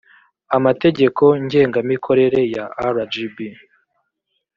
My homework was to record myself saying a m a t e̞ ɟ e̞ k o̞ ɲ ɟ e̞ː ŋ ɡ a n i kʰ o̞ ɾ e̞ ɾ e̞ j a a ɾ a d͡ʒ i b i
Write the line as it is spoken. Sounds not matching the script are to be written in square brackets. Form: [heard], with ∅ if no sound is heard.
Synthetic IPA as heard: a m a t e̞ ɟ e̞ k o̞ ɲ ɟ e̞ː ŋ ɡ a [m] i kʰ o̞ ɾ e̞ ɾ e̞ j a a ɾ a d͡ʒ i b i